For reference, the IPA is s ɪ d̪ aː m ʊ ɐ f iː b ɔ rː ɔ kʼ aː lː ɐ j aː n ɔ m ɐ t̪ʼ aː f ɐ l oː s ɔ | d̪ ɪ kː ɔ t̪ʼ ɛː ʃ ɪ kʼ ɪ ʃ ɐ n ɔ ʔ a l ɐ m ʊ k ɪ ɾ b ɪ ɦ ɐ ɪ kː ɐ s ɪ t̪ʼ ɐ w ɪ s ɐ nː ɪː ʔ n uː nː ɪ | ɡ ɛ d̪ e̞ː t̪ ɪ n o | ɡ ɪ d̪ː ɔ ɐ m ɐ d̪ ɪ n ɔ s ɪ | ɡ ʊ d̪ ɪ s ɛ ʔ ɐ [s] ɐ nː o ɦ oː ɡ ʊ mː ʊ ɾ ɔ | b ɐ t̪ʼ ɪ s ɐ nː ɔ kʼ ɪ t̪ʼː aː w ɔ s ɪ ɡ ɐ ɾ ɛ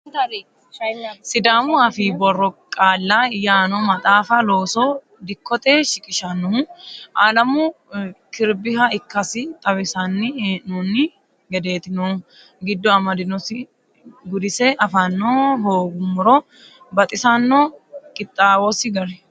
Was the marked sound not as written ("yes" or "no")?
yes